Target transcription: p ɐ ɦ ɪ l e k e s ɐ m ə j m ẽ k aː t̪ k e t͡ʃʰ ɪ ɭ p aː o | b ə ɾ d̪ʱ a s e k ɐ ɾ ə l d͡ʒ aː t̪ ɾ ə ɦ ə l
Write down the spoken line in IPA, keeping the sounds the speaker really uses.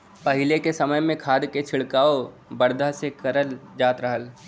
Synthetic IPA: p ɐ ɦ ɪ l e k e s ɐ m ə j m ẽ kʰ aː d̪ k e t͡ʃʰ ɪ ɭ k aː o | b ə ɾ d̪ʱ a s e k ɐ ɾ ə l d͡ʒ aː t̪ ɾ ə ɦ ə l